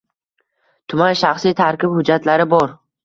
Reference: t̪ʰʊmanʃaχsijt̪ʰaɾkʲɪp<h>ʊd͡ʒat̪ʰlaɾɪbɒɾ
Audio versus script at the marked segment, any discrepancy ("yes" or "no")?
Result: no